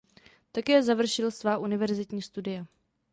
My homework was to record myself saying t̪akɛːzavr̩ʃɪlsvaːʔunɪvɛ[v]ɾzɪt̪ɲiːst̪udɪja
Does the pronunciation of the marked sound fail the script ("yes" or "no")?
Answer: yes